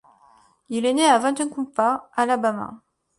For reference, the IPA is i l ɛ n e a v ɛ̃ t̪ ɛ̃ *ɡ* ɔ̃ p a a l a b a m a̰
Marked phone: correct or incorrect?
incorrect